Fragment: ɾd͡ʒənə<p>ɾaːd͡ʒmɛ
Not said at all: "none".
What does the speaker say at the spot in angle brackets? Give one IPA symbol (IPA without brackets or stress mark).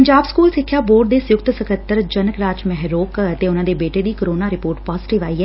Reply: k